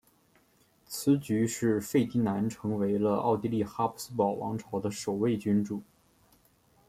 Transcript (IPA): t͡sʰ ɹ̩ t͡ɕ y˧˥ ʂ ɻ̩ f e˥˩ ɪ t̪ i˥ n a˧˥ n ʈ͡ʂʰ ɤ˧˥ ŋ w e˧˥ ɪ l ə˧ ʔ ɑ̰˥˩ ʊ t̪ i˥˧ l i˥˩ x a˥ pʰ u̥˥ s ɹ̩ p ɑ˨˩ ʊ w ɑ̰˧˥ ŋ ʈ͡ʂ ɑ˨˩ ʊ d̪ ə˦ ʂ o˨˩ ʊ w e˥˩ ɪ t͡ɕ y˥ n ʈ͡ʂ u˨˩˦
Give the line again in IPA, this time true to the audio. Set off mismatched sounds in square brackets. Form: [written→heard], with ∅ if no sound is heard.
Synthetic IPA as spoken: t͡sʰ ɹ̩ t͡ɕ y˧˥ ʂ ɻ̩ f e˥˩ ɪ t̪ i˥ n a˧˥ n ʈ͡ʂʰ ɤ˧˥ ŋ w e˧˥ ɪ l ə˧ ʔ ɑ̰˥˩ ʊ t̪ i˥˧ l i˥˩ x a˥ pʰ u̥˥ s ɹ̩ p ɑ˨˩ ʊ w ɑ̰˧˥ ŋ [ʈ͡ʂ→ʈ͡ʂʰ] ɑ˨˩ ʊ d̪ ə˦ ʂ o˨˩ ʊ w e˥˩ ɪ t͡ɕ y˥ n ʈ͡ʂ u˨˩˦